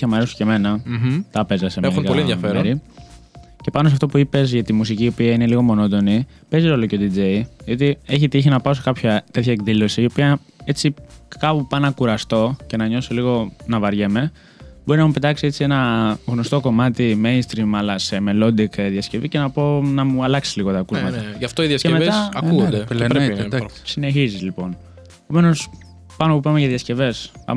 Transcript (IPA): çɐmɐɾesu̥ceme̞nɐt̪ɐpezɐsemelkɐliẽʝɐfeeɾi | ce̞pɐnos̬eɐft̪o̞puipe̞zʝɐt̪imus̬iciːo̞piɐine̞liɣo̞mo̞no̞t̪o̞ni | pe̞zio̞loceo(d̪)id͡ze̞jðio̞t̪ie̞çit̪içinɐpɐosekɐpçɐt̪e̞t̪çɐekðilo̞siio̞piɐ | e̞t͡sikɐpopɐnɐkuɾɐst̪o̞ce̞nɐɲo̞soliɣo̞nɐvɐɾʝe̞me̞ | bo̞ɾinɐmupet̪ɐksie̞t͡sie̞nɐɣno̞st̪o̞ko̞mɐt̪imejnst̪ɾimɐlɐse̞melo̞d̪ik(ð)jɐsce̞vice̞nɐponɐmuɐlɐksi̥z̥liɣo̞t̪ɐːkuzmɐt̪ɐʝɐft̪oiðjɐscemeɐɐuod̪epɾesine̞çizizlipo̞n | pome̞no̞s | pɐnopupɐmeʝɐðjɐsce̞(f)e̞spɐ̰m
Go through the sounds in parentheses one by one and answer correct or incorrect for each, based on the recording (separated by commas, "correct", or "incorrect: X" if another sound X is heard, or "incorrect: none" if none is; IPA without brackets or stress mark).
correct, correct, incorrect: v